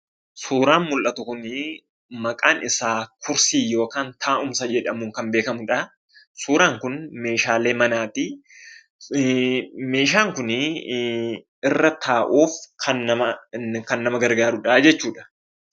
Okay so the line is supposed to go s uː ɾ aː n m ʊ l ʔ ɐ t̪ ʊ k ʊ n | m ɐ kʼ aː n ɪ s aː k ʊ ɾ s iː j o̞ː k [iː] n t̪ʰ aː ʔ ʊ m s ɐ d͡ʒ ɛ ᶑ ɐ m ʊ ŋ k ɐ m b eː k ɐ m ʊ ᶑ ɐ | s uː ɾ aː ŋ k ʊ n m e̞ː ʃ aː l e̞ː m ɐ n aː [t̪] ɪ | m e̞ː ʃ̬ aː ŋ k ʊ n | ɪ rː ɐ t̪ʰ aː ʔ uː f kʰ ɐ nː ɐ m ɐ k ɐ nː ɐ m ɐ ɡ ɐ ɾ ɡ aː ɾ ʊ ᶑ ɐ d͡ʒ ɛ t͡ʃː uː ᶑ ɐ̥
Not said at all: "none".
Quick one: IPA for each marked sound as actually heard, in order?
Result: aː, t̪

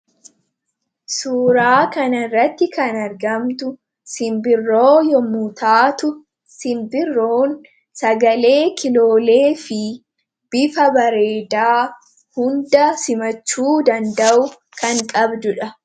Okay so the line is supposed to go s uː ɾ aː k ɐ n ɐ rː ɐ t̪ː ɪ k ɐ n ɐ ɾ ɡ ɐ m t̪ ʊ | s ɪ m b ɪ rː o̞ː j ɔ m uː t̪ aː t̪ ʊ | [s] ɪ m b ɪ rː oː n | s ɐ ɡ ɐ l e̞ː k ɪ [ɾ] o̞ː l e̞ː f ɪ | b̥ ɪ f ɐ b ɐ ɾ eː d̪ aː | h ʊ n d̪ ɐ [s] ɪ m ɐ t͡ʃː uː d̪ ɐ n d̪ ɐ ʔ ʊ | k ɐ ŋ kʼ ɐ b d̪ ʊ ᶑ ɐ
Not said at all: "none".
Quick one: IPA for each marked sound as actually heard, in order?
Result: s, l, s

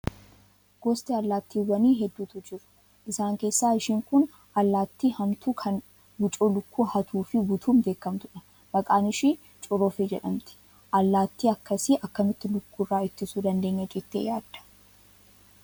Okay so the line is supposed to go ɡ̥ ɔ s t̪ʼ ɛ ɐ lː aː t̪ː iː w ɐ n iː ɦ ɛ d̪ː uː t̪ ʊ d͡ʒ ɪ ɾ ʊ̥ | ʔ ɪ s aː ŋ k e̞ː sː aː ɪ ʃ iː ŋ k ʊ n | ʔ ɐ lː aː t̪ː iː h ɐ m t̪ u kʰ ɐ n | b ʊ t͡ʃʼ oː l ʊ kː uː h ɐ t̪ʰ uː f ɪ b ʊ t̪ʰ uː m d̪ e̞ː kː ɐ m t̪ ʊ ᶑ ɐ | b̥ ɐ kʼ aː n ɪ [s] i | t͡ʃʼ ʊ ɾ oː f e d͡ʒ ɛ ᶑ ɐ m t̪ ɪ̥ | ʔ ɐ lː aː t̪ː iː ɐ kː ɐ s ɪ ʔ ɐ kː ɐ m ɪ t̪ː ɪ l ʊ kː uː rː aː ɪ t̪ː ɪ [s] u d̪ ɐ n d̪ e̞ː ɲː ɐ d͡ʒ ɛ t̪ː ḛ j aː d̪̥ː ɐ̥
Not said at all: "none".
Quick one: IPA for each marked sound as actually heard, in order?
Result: ʃ, s

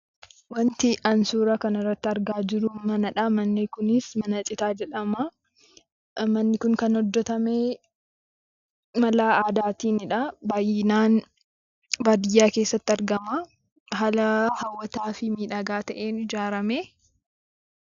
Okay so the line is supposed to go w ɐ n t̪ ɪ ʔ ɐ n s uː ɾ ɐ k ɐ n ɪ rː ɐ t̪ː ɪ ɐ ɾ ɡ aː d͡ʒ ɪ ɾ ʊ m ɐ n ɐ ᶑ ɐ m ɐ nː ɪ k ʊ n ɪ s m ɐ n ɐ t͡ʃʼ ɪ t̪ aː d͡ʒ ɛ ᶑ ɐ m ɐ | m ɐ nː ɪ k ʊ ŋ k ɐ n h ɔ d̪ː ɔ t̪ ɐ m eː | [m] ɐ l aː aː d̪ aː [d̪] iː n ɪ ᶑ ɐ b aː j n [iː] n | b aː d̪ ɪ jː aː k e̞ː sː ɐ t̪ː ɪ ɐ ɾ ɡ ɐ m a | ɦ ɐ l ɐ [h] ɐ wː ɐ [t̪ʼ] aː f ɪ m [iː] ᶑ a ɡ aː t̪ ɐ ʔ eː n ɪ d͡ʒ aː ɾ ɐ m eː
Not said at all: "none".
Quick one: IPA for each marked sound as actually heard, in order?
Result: m, t̪, aː, h, t̪, iː

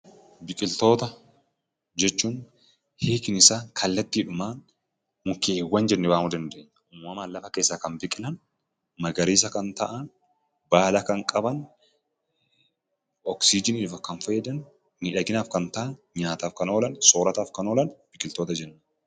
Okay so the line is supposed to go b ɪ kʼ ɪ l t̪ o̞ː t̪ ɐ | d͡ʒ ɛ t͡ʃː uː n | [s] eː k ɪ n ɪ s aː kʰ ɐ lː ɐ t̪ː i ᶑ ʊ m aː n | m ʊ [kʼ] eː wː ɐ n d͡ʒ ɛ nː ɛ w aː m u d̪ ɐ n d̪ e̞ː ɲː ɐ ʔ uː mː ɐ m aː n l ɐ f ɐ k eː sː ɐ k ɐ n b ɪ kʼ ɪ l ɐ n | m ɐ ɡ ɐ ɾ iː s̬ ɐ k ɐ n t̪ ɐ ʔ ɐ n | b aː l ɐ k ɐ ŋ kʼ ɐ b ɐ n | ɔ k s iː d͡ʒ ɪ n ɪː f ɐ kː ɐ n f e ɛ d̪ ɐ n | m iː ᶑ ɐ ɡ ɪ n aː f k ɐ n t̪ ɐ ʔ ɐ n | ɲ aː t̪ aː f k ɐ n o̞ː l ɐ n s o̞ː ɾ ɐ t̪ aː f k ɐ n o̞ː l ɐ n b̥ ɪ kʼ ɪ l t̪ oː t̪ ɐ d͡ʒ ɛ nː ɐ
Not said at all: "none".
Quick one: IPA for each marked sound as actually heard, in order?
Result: h, k

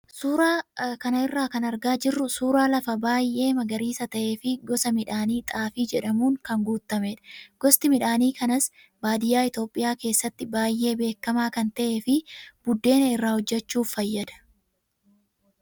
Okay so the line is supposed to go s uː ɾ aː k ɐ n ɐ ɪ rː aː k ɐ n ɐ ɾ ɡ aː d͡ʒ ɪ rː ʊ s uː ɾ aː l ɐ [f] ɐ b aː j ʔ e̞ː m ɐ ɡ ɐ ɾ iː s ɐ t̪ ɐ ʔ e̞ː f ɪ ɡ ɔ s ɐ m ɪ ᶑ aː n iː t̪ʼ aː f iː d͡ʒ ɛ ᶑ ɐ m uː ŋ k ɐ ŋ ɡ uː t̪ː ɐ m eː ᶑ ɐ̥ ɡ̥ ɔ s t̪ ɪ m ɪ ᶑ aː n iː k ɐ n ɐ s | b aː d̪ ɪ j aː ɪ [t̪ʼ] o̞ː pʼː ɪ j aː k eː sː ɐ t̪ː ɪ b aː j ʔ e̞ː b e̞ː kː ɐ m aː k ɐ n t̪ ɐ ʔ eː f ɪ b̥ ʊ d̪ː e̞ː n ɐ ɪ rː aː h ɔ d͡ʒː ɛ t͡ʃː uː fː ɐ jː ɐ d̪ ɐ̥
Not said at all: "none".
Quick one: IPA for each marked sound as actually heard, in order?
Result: f, t̪

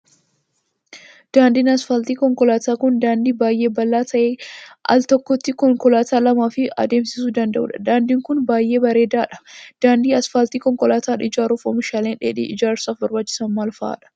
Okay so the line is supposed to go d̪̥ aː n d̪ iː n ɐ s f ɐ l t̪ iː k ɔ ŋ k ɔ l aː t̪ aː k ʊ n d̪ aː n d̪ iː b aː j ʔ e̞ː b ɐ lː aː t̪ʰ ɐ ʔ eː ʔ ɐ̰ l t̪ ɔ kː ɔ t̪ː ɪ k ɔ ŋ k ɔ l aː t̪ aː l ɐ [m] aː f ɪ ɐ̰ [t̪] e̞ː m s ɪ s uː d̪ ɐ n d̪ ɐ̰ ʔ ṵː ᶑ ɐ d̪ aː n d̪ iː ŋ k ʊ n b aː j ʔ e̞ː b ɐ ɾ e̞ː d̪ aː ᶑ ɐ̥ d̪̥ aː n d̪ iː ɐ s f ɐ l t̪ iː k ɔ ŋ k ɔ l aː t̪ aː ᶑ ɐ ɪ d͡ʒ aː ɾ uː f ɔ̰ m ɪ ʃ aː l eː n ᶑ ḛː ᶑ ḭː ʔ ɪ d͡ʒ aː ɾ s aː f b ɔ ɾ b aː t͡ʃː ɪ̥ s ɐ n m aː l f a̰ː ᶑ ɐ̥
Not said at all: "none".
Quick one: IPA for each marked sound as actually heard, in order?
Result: m, d̪

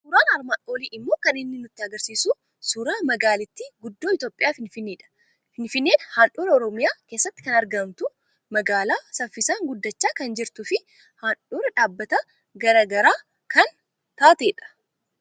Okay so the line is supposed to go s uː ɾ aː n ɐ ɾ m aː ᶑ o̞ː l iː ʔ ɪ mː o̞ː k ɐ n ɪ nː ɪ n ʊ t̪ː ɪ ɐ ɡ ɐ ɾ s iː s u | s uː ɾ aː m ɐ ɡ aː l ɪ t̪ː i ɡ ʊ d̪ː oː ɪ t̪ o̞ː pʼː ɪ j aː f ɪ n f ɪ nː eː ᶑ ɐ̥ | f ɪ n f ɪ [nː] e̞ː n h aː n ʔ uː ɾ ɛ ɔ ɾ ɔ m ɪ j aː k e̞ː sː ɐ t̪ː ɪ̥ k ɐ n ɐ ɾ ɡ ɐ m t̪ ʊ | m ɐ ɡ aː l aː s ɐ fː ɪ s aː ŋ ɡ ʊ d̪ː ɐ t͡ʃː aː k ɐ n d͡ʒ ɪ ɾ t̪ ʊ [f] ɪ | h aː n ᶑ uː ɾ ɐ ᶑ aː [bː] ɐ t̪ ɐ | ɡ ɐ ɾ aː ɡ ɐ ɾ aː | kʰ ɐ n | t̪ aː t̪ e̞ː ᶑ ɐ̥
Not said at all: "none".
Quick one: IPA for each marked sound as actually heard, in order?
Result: nː, f, bː

